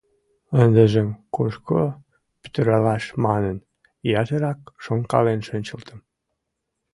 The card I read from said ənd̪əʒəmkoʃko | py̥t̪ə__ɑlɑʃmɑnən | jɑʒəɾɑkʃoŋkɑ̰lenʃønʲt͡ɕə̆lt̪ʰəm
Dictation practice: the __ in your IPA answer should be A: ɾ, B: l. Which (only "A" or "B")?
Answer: A